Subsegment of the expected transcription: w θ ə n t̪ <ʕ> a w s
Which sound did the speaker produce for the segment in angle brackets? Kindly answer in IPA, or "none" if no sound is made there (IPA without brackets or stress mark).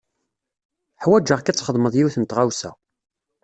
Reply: ʁ